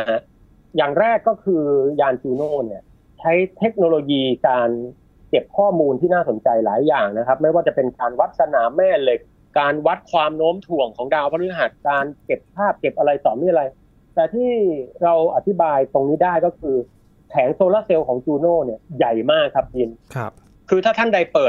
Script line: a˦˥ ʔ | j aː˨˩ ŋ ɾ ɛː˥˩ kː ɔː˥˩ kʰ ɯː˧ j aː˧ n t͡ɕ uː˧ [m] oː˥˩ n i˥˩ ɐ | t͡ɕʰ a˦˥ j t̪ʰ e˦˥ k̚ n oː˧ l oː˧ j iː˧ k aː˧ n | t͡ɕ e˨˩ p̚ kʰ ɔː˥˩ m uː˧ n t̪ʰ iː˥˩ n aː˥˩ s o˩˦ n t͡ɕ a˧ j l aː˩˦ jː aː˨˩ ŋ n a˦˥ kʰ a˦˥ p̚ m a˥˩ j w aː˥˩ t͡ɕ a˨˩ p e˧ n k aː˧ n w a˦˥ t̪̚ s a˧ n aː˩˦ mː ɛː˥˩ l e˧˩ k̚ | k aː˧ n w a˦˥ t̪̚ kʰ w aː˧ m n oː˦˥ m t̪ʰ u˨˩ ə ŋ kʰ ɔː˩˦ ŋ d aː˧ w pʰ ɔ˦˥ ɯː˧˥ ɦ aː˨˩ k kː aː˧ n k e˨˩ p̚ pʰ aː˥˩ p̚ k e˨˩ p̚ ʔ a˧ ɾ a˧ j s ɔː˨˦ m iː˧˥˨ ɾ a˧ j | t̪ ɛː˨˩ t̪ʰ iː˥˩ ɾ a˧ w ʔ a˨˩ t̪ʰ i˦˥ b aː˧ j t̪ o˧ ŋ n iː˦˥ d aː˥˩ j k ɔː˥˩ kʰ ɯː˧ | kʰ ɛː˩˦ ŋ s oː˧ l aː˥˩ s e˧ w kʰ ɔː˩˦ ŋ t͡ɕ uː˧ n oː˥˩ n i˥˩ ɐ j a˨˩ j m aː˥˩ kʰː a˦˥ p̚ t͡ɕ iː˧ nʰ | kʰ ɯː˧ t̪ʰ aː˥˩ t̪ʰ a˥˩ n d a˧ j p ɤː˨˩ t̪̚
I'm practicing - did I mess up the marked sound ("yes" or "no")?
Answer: yes